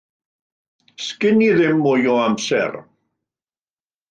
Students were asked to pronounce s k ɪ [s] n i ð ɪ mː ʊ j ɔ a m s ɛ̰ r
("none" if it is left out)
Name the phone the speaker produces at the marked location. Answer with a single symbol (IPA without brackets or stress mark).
none